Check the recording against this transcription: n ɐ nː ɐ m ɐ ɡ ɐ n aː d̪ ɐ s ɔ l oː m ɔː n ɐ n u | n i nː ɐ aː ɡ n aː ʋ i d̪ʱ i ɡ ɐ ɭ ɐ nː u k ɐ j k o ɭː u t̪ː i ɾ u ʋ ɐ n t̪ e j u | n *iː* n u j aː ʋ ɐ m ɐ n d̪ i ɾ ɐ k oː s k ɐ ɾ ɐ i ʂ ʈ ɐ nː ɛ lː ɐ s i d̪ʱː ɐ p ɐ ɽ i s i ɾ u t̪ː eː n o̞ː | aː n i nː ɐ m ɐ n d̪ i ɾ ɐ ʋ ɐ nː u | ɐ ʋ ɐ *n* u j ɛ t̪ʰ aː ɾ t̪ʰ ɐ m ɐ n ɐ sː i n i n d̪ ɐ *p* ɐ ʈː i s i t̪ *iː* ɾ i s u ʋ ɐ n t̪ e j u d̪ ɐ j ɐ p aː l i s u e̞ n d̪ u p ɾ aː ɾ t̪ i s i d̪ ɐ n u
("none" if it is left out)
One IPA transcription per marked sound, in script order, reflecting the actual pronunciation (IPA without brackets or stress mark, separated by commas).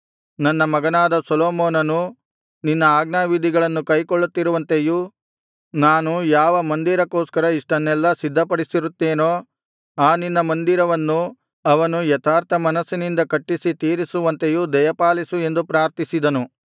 aː, n, k, iː